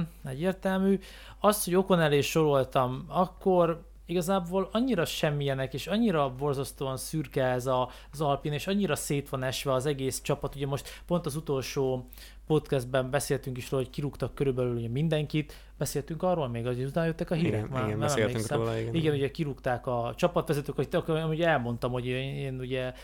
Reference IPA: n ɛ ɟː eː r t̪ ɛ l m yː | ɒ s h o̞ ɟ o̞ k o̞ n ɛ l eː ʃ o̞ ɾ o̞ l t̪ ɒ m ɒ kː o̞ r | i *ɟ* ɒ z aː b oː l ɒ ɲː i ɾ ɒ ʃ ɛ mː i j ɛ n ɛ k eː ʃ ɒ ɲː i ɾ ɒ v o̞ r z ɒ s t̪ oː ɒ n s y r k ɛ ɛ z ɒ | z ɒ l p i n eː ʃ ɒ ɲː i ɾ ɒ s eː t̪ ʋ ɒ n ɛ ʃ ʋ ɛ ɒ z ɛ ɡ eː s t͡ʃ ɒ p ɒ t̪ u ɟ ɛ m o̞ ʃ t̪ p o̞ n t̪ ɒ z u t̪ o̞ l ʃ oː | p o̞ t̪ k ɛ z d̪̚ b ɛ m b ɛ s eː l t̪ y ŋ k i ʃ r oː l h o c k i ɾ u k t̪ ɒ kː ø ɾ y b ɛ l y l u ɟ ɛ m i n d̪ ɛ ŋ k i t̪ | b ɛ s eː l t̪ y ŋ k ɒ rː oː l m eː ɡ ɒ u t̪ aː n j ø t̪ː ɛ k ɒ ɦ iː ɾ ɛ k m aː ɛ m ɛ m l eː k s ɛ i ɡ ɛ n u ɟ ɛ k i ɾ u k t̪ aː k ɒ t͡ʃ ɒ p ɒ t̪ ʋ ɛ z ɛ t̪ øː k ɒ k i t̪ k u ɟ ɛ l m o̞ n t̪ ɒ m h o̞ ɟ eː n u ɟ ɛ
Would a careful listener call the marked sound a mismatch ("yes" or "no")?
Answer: yes